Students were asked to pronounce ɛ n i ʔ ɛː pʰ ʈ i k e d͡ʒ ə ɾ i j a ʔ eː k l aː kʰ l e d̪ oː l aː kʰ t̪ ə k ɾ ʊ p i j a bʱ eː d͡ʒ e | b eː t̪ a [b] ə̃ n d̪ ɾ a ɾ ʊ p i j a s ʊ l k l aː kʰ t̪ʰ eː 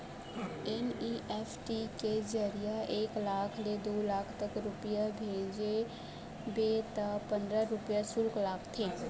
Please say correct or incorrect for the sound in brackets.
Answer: incorrect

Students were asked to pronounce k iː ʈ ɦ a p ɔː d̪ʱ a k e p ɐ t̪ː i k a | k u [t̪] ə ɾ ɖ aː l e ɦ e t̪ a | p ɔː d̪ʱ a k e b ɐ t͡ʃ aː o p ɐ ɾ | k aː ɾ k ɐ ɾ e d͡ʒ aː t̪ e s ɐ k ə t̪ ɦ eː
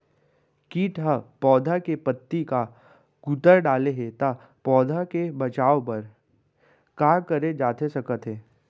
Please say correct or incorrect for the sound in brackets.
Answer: correct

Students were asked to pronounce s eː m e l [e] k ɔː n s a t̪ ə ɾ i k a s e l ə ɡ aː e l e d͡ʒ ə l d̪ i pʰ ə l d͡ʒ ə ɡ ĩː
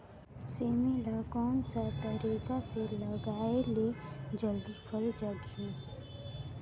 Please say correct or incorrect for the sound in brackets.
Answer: incorrect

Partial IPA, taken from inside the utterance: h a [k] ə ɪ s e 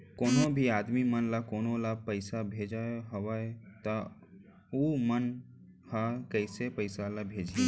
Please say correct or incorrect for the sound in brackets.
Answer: correct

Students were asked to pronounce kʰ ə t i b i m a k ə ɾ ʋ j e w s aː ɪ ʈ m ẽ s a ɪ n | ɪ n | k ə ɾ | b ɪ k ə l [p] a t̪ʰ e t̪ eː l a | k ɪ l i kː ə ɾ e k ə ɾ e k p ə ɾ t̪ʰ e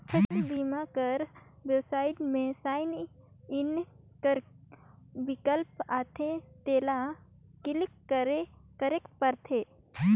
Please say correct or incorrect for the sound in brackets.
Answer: correct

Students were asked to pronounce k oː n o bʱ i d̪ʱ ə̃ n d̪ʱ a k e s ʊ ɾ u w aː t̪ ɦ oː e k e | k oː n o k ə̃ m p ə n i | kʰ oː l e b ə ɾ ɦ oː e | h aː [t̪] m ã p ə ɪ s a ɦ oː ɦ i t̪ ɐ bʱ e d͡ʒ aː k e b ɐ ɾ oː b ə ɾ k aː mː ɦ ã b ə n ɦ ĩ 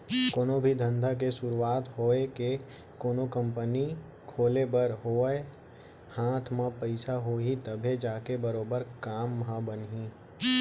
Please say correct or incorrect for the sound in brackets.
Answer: incorrect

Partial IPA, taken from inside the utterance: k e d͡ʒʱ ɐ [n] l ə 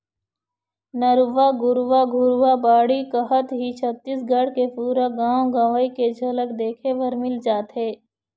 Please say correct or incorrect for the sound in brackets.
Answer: incorrect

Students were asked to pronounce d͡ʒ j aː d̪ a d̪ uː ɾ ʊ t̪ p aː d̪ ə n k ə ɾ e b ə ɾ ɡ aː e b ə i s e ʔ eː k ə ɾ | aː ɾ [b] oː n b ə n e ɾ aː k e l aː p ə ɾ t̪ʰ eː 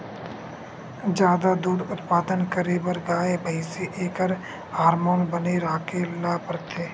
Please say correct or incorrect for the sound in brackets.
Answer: incorrect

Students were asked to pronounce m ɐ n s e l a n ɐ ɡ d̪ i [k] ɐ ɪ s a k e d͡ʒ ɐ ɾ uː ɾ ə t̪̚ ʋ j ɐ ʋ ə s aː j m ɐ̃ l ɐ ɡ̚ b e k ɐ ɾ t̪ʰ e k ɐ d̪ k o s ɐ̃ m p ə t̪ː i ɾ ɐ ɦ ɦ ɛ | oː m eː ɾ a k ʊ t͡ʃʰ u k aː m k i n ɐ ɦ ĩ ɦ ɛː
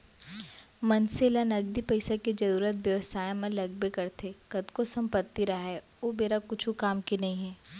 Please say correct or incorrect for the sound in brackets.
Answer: incorrect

